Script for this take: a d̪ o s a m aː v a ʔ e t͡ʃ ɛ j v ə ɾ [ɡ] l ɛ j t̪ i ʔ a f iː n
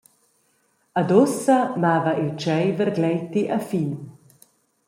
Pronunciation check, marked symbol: correct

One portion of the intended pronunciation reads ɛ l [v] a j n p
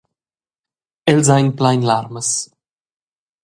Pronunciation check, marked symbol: incorrect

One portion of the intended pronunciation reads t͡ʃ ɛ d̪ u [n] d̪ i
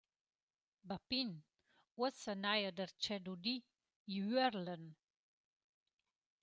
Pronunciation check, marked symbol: incorrect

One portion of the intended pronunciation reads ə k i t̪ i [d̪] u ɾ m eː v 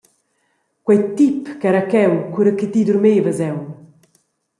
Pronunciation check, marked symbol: correct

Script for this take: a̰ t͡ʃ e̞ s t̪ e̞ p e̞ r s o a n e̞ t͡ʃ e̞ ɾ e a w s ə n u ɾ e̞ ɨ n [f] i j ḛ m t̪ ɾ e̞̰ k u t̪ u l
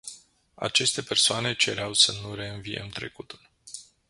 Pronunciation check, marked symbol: incorrect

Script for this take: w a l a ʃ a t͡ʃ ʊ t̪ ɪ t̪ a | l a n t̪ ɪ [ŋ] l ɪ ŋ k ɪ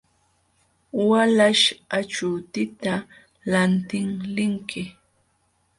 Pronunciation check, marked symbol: correct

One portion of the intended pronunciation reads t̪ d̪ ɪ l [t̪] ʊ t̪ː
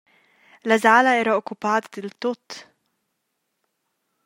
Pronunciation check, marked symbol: correct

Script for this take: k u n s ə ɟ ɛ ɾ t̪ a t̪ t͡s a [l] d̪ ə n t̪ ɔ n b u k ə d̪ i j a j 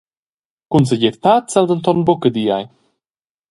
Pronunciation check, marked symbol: correct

